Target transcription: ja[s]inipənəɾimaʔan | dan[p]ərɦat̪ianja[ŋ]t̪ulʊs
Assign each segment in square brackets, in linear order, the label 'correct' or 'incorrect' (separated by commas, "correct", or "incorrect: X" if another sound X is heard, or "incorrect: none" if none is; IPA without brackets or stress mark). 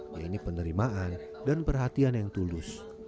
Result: incorrect: none, correct, correct